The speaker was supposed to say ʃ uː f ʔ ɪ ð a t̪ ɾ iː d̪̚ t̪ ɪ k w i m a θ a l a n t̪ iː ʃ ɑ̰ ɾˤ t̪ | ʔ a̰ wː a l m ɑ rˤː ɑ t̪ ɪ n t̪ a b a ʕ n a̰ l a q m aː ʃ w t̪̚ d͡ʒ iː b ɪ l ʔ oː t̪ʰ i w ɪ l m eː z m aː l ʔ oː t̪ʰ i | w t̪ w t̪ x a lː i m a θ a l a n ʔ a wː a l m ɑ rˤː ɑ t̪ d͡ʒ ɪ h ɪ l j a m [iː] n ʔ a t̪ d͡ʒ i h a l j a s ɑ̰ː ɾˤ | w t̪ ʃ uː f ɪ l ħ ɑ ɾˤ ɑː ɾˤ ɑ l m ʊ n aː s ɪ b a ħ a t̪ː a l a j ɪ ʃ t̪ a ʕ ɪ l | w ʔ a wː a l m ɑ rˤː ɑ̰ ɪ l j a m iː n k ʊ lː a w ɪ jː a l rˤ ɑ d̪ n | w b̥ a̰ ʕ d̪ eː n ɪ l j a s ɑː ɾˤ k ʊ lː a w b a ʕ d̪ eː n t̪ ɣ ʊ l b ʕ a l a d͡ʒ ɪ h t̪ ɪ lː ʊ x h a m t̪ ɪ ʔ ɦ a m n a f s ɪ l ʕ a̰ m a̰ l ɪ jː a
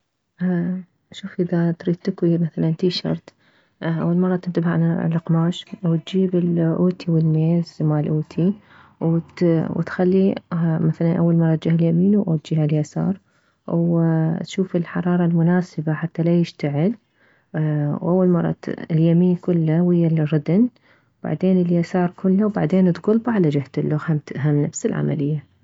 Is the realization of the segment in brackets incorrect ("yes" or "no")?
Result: no